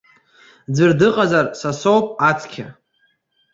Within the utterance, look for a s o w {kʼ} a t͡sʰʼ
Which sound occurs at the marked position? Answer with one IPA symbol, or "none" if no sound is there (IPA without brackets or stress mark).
pʼ